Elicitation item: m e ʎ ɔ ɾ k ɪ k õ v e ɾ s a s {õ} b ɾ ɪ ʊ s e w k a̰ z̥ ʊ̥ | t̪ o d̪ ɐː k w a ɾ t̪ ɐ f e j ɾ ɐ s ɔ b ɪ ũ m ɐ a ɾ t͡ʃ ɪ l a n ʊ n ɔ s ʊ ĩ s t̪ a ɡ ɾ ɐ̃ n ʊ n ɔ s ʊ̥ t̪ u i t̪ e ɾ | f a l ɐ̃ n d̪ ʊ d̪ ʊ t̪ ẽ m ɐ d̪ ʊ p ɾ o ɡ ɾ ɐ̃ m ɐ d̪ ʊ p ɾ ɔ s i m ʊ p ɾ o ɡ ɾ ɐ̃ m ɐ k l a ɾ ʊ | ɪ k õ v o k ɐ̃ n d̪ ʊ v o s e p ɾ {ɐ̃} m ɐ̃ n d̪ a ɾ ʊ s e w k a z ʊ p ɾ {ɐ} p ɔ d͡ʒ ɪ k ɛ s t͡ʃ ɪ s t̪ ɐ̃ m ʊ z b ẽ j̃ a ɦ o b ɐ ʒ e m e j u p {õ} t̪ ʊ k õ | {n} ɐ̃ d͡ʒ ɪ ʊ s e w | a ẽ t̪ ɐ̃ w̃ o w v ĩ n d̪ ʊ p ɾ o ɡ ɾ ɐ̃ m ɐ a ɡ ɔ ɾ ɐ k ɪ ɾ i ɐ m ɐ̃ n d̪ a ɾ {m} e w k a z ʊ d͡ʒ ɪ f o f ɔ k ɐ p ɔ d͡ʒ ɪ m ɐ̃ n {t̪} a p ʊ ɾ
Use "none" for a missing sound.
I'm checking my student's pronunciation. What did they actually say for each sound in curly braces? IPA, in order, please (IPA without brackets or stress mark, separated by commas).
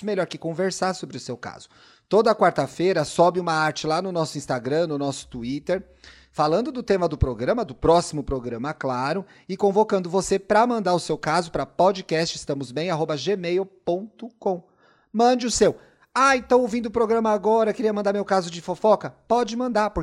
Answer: o, ɐ, ɐ, õ, m, m, d̪